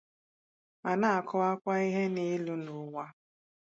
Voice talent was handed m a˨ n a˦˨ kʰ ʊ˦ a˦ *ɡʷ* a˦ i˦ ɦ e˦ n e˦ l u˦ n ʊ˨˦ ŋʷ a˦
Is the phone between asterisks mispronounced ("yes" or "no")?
yes